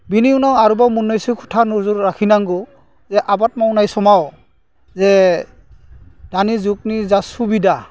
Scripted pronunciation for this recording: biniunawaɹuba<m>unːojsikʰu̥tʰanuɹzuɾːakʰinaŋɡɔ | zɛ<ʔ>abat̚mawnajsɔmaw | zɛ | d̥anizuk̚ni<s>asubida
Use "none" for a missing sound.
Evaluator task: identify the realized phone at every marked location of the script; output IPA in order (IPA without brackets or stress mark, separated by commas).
m, ʔ, z